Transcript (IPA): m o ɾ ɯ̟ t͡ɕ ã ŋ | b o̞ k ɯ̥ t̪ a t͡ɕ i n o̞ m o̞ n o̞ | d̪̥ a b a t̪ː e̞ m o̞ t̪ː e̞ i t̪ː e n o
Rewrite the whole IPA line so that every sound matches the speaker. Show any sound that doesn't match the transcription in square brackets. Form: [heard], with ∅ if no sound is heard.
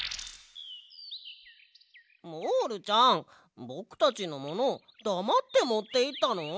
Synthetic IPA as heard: m o ɾ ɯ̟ t͡ɕ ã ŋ | b o̞ k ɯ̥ t̪ a t͡ɕ i n o̞ m o̞ n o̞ | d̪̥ a [m] a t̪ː e̞ m o̞ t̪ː e̞ i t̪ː [a] n o